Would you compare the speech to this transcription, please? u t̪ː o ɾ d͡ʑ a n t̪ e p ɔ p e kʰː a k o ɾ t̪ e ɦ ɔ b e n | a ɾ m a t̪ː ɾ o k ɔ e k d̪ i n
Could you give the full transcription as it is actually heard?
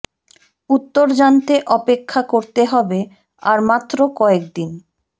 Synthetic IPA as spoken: u t̪ː o ɾ d͡ʑ a n t̪ e ʔ ɔ p e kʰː a k o ɾ t̪ e ɦ ɔ b e | a ɾ m a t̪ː ɾ o k ɔ e k d̪ i n